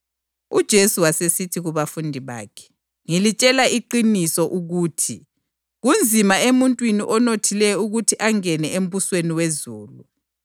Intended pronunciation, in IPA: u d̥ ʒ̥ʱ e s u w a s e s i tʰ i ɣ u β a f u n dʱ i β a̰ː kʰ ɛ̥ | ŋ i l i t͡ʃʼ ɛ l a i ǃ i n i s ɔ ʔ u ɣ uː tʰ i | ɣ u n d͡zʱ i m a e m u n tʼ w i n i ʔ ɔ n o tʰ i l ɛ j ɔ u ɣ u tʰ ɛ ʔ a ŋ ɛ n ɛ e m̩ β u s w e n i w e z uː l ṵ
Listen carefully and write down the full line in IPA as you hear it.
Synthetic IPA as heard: u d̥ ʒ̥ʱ e s u w a s e s i tʰ i ɣ u β a f u n dʱ i β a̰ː kʰ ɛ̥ | ŋ i l i t͡ʃʼ ɛ l a i ǃ i n i s ɔ ʔ u ɣ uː tʰ i | ɣ u n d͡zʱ i m a e m u n tʼ w i n i ʔ ɔ n o tʰ i l ɛ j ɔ u ɣ u tʰ i ʔ a ŋ ɛ n ɛ e m̩ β u s w e n i w e z uː l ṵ